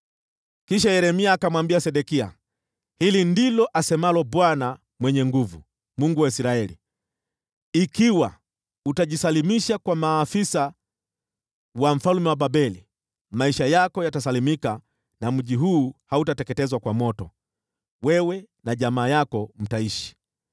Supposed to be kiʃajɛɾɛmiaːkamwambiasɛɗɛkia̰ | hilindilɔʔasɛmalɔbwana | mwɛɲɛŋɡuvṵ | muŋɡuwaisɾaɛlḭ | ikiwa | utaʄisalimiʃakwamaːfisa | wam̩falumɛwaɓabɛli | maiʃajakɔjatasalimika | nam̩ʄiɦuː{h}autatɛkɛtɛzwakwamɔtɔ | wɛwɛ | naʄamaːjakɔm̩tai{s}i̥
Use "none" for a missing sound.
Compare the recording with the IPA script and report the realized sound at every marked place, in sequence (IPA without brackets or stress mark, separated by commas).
h, ʃ